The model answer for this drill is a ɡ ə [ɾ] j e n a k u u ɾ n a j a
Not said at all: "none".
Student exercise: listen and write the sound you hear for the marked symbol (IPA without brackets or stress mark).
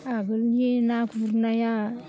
l